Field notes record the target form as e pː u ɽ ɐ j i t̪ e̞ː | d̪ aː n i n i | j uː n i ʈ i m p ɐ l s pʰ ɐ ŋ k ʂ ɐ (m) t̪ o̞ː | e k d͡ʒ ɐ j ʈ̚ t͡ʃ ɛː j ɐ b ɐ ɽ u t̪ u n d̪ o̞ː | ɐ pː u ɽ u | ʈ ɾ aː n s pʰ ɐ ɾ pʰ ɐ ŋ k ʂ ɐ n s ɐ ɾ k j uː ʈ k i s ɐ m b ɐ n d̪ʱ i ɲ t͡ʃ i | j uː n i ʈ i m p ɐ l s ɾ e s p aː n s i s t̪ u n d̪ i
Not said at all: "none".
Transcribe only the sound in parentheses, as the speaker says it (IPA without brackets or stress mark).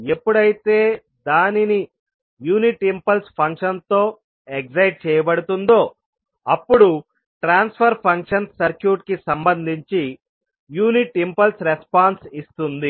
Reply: n